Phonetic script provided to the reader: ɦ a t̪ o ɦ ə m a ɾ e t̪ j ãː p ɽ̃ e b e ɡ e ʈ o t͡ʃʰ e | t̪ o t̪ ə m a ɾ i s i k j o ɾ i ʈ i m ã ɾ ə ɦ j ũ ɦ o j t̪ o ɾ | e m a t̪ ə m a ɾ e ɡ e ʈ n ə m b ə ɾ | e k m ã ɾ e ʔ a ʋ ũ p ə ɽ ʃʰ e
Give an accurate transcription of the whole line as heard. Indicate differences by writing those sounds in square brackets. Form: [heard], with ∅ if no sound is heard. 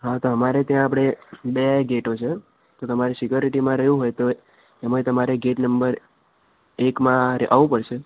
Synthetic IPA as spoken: ɦ a t̪ o ɦ ə m a ɾ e t̪ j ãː p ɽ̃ e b e ɡ e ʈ o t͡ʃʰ e | t̪ o t̪ ə m a ɾ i s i k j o ɾ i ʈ i m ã ɾ ə ɦ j ũ ɦ o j t̪ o [∅] | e m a t̪ ə m a ɾ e ɡ e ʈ n ə m b ə ɾ | e k m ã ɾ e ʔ a ʋ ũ p ə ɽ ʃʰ e